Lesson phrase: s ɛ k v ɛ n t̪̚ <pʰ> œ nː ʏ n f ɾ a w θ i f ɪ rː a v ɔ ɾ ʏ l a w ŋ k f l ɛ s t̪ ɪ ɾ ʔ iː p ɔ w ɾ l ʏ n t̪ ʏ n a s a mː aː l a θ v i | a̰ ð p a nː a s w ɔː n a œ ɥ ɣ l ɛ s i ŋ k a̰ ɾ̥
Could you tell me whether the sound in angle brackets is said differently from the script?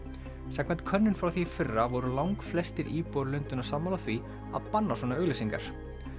yes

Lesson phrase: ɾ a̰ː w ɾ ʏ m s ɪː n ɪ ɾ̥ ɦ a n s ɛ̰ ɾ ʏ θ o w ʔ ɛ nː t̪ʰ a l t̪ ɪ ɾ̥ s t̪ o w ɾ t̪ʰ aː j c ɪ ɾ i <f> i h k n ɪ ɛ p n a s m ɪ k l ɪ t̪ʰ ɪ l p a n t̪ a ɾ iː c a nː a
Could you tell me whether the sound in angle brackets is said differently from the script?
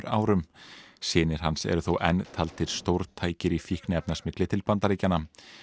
no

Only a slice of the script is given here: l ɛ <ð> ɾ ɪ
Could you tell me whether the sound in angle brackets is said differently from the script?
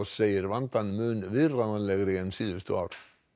yes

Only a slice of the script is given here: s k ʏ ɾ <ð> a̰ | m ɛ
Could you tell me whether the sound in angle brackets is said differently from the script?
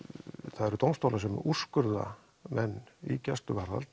no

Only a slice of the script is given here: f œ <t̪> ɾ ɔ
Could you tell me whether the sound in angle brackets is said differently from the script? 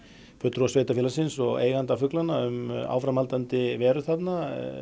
no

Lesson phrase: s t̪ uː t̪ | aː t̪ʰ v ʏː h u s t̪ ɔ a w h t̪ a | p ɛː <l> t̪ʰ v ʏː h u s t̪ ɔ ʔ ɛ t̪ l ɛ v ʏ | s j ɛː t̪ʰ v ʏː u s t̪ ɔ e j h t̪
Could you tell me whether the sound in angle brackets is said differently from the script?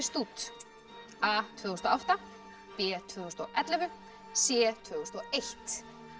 yes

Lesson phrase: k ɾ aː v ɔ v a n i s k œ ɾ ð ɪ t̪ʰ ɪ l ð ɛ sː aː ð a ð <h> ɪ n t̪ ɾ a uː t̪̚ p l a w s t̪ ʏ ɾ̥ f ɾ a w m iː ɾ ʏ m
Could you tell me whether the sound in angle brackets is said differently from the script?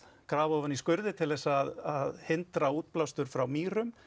no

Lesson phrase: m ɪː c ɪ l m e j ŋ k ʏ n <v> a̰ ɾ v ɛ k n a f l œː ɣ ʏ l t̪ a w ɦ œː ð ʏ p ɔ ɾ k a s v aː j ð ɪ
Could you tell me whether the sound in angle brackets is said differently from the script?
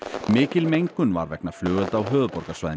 no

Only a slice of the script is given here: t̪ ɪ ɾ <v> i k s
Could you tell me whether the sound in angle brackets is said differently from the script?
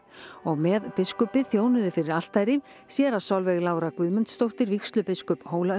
no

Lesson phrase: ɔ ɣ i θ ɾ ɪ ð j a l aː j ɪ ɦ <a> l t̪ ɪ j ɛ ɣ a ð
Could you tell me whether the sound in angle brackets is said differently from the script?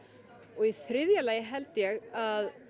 yes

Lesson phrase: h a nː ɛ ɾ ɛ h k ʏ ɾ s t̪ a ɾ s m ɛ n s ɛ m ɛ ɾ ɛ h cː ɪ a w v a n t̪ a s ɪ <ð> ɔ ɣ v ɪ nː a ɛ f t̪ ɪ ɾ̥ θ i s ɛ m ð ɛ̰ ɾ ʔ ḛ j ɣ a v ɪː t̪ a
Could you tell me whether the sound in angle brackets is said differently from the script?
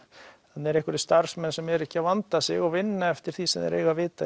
yes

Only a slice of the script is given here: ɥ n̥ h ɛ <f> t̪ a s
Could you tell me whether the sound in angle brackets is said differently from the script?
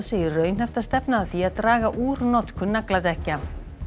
no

